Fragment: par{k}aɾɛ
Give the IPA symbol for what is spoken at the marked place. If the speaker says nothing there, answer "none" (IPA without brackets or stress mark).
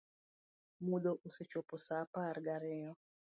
ɡ